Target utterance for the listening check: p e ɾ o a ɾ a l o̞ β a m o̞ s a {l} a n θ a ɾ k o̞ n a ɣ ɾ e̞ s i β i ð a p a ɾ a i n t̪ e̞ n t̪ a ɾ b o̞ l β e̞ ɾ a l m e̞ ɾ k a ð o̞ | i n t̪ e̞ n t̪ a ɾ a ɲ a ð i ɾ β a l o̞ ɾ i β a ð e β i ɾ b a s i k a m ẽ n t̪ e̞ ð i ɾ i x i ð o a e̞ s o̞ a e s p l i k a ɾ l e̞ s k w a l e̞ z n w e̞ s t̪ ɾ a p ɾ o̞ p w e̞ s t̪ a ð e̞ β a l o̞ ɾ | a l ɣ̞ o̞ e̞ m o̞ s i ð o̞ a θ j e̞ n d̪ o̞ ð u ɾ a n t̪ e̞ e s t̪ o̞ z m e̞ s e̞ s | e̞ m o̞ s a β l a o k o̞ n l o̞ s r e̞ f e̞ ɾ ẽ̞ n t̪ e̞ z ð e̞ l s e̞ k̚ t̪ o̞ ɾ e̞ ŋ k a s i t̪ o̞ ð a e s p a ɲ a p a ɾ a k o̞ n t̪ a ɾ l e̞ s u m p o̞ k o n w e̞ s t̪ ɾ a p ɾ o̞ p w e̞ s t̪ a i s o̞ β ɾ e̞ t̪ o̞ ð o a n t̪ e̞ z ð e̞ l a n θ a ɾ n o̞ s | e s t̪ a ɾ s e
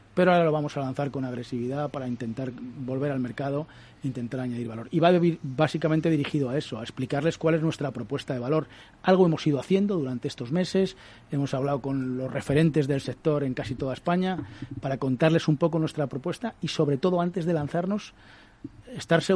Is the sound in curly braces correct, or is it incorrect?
correct